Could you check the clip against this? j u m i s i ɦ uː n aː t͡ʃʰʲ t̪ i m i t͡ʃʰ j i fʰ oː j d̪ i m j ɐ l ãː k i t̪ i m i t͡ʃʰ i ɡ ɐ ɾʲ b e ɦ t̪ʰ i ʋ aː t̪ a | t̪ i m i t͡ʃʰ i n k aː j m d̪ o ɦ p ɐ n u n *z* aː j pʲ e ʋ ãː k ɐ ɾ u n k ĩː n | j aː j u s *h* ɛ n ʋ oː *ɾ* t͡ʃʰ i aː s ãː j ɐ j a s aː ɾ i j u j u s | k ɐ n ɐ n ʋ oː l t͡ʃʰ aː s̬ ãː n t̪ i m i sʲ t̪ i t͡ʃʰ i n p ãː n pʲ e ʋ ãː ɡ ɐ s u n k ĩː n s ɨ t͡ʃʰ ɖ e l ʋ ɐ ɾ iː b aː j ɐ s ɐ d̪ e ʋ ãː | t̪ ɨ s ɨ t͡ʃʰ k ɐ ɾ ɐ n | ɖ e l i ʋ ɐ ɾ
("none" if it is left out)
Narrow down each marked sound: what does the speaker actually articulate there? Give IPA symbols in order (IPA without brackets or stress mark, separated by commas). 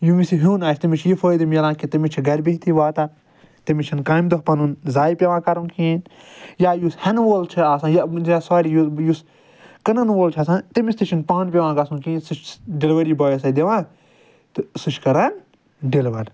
z, h, l